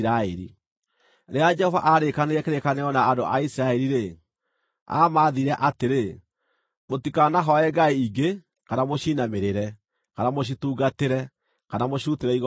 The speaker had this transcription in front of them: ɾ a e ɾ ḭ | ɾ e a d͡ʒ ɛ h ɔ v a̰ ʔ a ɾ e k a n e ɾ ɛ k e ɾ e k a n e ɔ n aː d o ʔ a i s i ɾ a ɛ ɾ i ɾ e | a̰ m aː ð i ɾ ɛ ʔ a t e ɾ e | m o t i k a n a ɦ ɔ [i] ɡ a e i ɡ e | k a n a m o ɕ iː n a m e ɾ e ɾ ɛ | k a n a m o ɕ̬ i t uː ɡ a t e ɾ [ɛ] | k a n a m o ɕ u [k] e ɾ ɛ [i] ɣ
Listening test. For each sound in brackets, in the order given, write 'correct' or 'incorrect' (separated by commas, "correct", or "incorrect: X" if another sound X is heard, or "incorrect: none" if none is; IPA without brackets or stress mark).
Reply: incorrect: ɛ, correct, incorrect: t, correct